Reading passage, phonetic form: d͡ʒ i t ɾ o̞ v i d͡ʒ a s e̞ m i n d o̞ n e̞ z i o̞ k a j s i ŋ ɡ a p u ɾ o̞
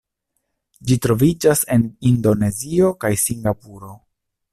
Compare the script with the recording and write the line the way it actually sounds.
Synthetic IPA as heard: d͡ʒ i t ɾ o̞ v i d͡ʒ a s e̞ n i n d o̞ n e̞ z i o̞ k a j s i ŋ ɡ a p u ɾ o̞